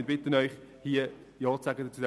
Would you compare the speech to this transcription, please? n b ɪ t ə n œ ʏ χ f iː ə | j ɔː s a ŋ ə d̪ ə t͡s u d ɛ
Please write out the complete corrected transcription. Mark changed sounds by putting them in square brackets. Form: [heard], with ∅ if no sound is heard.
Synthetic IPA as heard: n b ɪ t ə n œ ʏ χ [h] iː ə | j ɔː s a [ɡ] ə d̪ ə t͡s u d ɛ